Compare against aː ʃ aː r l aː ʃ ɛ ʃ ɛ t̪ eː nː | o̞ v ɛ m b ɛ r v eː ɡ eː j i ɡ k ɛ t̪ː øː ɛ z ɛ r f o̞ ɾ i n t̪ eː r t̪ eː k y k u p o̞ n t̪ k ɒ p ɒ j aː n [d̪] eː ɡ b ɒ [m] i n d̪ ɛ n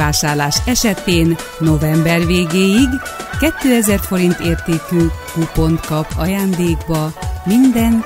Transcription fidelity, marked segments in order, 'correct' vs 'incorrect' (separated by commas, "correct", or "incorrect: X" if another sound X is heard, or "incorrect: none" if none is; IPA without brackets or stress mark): correct, correct